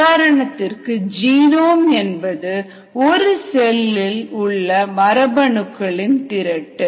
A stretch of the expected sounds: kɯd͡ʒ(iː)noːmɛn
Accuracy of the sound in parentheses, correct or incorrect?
correct